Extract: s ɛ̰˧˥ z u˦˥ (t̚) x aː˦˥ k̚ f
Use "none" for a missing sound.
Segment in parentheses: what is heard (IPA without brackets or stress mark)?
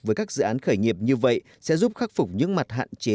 p̚